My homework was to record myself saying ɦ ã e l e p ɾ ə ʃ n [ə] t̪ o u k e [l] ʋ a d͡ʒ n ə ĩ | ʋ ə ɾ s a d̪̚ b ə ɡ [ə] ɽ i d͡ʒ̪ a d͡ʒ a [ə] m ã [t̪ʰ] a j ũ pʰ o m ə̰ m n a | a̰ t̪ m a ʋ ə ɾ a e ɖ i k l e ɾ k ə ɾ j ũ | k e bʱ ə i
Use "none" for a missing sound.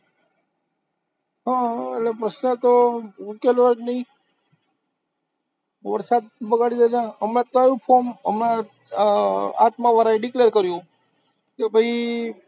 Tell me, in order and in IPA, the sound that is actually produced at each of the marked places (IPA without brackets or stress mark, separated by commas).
ə, l, a, ə, t̪